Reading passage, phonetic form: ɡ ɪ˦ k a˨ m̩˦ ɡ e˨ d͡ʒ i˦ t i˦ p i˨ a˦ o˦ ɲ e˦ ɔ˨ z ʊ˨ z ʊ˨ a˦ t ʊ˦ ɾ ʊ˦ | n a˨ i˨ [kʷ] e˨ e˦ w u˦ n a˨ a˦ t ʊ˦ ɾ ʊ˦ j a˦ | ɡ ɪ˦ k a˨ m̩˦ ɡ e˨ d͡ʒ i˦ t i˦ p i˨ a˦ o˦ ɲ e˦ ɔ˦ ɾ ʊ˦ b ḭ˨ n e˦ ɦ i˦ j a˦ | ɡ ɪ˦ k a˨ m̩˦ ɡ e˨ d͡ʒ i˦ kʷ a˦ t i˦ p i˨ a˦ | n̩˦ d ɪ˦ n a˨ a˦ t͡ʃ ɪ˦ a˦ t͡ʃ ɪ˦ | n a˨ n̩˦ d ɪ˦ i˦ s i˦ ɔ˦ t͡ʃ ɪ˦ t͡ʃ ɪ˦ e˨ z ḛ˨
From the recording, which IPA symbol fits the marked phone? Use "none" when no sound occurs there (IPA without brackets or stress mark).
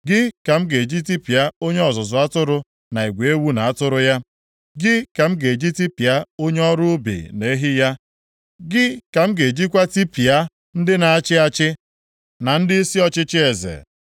ɡʷ